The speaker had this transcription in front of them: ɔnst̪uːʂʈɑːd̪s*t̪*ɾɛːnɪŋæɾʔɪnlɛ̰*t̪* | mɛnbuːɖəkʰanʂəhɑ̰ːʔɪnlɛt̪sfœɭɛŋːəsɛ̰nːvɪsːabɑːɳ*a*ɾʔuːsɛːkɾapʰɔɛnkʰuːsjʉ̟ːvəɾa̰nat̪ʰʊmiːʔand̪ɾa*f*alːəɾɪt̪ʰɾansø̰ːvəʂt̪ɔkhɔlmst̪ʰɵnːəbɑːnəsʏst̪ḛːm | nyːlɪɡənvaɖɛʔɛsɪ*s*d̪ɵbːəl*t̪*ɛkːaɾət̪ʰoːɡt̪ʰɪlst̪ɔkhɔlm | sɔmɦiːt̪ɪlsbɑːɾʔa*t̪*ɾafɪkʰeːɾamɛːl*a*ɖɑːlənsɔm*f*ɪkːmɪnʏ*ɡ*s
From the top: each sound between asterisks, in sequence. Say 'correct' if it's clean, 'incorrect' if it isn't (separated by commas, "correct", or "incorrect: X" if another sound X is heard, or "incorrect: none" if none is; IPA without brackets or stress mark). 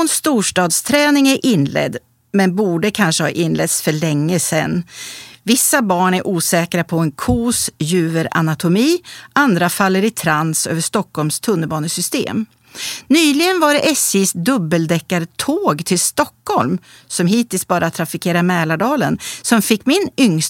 incorrect: t̪ʰ, incorrect: d̪, incorrect: æ, correct, correct, incorrect: d̪, incorrect: t̪ʰ, correct, correct, incorrect: ŋ